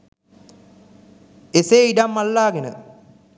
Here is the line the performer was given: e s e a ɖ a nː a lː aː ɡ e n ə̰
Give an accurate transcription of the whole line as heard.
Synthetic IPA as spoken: e s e i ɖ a mː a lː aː ɡ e n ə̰